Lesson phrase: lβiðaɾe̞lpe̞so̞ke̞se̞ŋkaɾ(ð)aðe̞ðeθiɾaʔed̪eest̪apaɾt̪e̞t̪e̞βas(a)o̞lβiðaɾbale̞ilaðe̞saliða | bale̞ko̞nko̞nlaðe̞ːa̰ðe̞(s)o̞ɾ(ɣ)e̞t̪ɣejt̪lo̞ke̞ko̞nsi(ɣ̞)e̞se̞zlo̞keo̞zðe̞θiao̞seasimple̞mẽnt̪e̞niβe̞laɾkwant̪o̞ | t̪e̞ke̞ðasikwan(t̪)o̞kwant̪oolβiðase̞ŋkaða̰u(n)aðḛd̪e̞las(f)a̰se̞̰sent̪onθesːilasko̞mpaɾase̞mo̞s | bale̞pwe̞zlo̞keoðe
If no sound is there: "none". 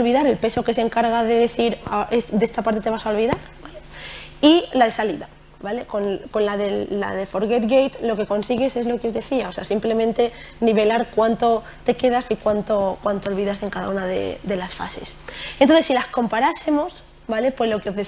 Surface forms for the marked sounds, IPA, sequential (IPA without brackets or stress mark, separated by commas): ɣ, a, f, ɣ, ɣ̞, t̪, n, f